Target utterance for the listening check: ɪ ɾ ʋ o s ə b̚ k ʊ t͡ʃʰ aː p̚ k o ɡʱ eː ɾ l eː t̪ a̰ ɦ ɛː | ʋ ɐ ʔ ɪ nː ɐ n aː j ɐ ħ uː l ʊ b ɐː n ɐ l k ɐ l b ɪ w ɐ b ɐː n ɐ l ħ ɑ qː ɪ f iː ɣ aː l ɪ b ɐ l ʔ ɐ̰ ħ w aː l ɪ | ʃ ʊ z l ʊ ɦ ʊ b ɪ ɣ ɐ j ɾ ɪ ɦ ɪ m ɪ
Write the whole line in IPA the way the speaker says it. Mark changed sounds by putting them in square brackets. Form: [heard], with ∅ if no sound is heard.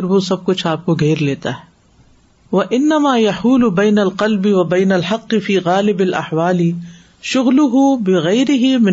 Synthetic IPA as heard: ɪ ɾ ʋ o s [ɐ] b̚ k ʊ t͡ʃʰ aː p̚ k o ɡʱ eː ɾ l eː t̪ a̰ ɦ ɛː | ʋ ɐ ʔ ɪ nː ɐ [m] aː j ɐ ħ uː l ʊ b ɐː n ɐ l [q] ɐ l b ɪ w ɐ b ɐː n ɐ l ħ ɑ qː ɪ f iː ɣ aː l ɪ b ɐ l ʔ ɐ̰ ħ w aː l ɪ | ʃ ʊ [ɣ] l ʊ ɦ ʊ b ɪ ɣ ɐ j ɾ ɪ ɦ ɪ m ɪ